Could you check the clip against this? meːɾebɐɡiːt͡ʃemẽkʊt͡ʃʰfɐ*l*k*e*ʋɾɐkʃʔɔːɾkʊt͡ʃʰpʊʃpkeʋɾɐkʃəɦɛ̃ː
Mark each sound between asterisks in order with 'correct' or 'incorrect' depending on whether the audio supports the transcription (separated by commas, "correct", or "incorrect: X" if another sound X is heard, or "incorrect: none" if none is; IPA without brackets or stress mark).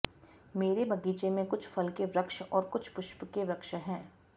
correct, correct